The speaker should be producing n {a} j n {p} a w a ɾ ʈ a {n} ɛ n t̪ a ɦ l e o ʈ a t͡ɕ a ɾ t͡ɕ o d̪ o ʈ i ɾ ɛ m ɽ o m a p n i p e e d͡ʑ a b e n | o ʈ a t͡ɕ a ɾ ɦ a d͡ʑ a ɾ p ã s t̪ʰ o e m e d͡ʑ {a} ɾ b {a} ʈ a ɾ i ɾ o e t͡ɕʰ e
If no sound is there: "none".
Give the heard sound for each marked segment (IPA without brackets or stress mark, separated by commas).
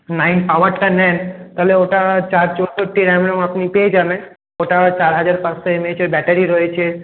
a, p, n, e, ɛ